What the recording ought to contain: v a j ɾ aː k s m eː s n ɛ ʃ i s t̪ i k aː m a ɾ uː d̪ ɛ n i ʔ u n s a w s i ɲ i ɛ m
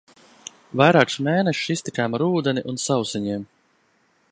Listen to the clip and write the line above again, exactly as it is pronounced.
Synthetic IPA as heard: v a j ɾ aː k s m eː n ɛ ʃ i s t̪ i k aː m a ɾ uː d̪ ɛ n i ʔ u n s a w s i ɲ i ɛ m